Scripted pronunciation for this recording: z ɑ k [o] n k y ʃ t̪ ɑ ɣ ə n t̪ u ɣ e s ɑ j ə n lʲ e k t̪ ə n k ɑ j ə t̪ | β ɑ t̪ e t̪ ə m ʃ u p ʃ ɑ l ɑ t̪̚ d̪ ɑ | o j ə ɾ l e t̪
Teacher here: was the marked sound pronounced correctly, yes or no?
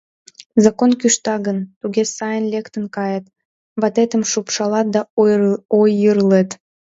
yes